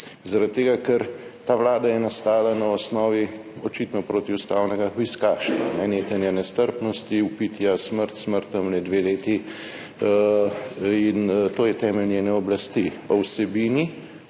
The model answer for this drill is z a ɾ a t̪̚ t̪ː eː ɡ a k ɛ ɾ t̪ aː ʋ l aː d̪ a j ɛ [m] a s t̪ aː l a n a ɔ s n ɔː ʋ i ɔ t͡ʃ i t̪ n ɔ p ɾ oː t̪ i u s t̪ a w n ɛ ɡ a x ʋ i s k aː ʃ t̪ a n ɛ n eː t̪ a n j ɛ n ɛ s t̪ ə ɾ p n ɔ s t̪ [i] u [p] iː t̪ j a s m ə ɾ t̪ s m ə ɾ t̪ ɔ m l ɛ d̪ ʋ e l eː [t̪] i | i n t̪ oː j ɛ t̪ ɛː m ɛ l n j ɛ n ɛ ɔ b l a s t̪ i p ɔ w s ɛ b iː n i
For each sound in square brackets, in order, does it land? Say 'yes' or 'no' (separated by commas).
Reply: no, yes, yes, yes